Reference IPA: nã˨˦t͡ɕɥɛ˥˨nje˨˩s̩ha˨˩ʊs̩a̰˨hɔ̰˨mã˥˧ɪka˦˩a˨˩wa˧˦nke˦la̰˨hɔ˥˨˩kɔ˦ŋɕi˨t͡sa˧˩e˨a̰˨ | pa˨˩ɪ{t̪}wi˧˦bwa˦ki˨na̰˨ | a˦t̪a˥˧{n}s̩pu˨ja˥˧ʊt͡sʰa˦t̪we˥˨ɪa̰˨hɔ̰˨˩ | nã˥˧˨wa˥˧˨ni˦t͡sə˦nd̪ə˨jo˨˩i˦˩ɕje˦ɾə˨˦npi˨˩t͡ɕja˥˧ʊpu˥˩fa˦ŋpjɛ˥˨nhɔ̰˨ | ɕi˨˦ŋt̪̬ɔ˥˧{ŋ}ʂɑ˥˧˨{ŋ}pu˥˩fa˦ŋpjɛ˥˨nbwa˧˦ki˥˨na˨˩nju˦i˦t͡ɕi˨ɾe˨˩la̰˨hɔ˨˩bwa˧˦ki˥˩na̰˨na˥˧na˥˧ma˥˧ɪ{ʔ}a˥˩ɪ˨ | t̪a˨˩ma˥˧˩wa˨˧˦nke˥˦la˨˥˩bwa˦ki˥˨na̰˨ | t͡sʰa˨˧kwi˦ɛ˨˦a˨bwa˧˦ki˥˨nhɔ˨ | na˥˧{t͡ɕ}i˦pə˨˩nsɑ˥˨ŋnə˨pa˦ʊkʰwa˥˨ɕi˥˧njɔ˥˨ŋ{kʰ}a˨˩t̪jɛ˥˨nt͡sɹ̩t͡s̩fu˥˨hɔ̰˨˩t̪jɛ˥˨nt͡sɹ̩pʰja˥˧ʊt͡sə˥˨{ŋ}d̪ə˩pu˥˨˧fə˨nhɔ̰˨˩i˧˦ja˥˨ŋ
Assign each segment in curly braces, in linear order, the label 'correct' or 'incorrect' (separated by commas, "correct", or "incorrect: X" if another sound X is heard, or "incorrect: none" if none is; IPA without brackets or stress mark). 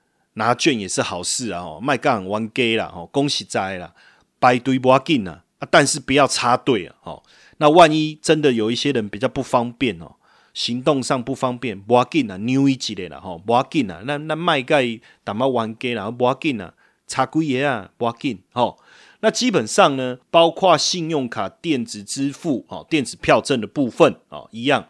correct, correct, correct, correct, incorrect: k, correct, correct, incorrect: n